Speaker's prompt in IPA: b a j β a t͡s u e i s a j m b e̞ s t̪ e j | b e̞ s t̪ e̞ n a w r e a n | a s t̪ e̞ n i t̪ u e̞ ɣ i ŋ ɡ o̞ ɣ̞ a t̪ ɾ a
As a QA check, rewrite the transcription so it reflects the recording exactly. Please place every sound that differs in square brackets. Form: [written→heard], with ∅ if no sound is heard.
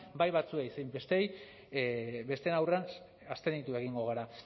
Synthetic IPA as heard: b a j β a t͡s u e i s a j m b e̞ s t̪ e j | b e̞ s t̪ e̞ n a w r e a n | a s t̪ e̞ n i t̪ u e̞ ɣ i ŋ ɡ o̞ ɣ̞ a [t̪→∅] ɾ a